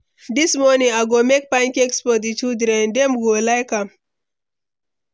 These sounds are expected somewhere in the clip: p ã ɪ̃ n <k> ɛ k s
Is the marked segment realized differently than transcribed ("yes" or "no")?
no